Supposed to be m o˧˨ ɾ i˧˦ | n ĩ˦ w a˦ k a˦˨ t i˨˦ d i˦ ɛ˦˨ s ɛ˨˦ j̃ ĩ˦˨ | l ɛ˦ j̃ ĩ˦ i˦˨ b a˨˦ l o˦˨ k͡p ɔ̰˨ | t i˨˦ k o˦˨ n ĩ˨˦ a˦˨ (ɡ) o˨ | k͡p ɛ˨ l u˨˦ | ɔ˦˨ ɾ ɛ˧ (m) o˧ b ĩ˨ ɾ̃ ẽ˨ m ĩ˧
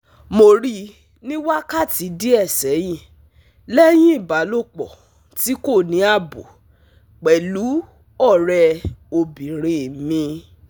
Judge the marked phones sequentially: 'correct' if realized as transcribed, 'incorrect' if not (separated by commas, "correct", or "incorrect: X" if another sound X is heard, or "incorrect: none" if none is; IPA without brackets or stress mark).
incorrect: b, incorrect: none